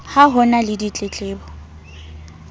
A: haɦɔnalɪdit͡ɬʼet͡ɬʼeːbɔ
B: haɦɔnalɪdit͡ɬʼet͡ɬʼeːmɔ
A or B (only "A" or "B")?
A